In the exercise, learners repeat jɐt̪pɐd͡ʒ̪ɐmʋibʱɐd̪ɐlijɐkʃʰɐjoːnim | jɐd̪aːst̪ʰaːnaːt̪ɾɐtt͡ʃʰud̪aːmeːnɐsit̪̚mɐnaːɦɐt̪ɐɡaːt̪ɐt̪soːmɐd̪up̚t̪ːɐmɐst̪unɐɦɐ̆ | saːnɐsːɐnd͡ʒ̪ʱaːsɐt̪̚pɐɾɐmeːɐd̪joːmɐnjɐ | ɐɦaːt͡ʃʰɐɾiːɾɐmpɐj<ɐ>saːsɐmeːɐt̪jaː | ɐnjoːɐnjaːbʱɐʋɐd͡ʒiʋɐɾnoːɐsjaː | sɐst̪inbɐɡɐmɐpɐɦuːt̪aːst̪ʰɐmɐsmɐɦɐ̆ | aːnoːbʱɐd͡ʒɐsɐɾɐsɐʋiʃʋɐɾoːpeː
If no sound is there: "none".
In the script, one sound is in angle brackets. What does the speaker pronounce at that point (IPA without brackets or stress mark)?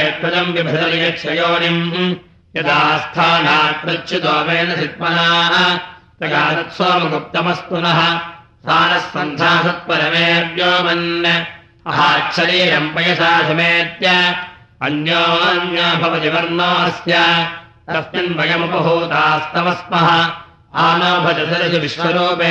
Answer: ɐ